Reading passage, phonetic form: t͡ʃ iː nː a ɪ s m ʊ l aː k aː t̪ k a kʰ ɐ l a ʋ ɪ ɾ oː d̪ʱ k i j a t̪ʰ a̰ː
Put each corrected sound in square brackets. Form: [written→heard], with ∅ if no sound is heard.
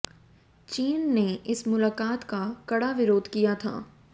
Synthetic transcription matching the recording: t͡ʃ iː nː [a→e] ɪ s m ʊ l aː k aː t̪ k a [kʰ→k] ɐ [l→ɽ] a ʋ ɪ ɾ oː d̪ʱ k i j a t̪ʰ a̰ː